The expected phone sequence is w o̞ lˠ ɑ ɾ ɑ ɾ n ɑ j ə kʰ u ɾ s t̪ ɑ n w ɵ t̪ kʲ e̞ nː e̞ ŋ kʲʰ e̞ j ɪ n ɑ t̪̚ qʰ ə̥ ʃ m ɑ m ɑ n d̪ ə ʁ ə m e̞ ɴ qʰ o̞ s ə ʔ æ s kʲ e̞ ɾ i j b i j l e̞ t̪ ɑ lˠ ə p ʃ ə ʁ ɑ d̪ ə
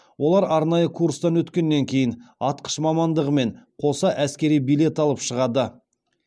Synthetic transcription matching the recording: w o̞ lˠ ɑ ɾ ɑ ɾ n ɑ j ə kʰ u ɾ s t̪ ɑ n w ɵ t̪ kʲ e̞ nː e̞ ŋ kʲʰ e̞ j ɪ n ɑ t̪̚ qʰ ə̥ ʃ m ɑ m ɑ n d̪ ə ʁ ə m e̞ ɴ qʰ o̞ s ɑ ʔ æ s kʲ e̞ ɾ i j b i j l e̞ t̪ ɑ lˠ ə p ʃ ə ʁ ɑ d̪ ə